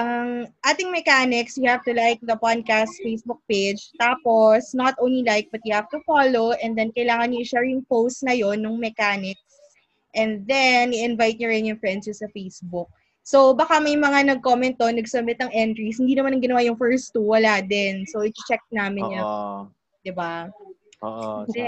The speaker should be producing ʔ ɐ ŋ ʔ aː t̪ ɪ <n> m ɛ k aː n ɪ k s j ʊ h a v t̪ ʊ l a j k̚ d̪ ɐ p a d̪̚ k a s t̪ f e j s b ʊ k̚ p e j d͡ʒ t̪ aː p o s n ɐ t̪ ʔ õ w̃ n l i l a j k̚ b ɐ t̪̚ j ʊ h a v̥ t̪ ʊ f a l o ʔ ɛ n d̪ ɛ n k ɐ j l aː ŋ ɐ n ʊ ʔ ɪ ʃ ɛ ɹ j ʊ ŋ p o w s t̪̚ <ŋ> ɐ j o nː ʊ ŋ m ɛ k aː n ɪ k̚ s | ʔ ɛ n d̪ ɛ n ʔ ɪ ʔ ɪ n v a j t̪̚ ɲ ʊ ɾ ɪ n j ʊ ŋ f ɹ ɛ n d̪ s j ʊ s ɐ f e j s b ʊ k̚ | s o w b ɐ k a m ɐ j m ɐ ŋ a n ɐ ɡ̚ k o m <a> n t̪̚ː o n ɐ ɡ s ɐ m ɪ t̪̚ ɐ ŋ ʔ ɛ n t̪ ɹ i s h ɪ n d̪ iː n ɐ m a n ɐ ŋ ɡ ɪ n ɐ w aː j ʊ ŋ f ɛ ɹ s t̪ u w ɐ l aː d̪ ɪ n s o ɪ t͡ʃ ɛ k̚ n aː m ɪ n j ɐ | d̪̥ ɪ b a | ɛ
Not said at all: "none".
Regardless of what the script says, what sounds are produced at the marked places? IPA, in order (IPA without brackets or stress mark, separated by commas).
ŋ, n, ɛ